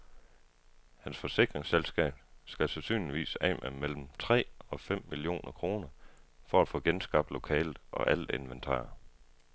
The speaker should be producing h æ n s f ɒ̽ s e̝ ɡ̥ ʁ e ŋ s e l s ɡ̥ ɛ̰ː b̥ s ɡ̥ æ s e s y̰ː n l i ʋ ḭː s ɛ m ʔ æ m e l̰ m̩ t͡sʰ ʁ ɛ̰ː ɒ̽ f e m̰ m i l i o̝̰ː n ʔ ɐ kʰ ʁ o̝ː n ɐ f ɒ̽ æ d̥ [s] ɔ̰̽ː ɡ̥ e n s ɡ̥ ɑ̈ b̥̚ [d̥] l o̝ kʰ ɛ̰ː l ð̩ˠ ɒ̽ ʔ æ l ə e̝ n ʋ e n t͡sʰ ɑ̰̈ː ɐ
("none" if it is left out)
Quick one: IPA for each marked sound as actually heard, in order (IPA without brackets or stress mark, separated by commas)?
f, d̥